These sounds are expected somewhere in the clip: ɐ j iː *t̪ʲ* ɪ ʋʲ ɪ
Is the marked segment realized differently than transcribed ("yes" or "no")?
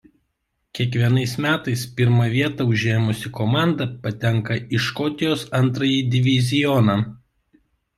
yes